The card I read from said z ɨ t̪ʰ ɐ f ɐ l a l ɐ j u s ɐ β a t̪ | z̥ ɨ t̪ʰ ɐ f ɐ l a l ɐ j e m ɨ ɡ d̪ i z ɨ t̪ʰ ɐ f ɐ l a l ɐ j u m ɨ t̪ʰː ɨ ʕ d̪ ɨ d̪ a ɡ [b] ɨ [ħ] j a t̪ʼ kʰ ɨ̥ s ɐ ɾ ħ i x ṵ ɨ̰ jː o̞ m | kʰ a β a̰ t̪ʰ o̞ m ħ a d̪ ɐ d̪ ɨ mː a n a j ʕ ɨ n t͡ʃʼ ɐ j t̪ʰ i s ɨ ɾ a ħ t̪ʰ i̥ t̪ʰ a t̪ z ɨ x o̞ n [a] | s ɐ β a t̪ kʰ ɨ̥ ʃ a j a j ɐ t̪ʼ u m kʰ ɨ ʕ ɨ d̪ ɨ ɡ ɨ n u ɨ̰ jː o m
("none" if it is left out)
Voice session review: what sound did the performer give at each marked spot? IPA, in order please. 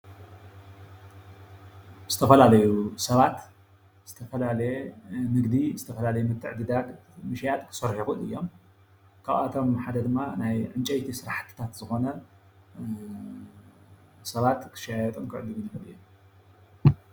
m, ʃ, ɐ

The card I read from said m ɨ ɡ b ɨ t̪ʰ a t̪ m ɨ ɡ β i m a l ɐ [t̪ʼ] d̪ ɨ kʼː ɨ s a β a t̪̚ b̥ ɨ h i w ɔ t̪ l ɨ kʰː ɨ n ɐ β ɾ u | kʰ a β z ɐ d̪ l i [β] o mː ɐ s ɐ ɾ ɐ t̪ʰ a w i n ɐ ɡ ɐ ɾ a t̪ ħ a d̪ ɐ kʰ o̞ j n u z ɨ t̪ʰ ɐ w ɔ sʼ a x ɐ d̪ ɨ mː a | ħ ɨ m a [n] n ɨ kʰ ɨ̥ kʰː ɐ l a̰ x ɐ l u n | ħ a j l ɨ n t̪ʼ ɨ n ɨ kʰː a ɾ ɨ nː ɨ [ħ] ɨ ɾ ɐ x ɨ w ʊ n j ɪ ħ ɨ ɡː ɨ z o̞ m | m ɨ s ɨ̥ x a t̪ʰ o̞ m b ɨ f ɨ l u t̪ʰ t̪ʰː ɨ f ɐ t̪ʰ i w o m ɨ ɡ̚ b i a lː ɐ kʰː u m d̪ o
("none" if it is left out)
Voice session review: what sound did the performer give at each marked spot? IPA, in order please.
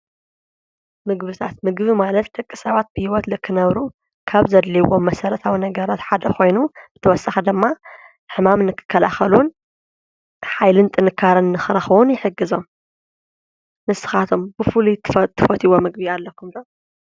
t̪, w, m, x

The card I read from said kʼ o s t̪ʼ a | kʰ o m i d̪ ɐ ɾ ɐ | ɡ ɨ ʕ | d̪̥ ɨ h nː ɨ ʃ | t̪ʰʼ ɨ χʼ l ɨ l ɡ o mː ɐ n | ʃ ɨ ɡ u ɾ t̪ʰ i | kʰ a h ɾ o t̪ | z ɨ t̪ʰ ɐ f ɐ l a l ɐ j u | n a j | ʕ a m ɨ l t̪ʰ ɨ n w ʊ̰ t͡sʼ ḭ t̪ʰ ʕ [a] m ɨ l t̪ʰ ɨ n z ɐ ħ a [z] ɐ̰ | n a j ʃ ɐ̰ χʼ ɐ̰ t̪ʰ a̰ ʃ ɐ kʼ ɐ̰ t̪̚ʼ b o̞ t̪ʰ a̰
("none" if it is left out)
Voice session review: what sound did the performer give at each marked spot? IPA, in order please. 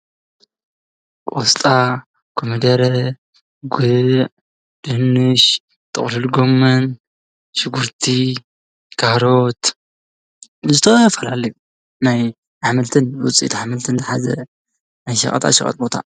a, z

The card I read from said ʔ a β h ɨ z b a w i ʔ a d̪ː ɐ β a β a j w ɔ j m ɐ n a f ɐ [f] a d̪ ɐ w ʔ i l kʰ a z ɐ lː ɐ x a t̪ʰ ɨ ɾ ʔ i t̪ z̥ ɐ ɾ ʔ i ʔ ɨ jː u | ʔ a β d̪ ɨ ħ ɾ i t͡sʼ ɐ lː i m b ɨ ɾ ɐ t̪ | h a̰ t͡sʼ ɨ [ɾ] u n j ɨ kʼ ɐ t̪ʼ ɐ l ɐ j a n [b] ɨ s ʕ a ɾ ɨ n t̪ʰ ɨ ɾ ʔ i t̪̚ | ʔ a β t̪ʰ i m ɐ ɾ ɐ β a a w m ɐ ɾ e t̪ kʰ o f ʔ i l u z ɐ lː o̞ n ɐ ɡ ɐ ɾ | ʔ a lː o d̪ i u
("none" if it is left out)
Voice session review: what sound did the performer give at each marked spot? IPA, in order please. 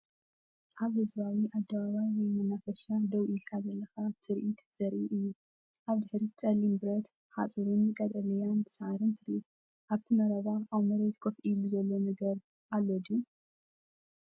ʃ, ɾ, b

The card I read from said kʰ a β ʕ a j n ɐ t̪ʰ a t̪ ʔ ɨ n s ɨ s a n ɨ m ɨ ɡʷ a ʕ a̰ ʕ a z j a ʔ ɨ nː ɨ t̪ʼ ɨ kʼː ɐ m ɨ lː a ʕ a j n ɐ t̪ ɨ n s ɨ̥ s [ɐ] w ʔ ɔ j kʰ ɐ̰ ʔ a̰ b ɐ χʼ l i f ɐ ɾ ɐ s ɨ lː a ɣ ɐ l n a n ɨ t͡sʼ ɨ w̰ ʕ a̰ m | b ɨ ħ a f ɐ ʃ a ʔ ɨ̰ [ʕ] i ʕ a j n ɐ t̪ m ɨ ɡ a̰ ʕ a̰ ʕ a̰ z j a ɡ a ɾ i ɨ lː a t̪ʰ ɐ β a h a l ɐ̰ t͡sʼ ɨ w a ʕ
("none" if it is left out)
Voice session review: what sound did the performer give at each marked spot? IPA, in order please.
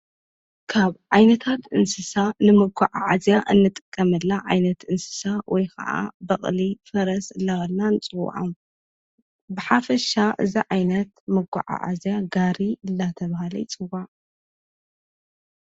a, z

